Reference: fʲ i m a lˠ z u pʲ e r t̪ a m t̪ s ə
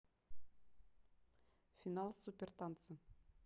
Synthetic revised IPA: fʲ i n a lˠ s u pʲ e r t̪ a n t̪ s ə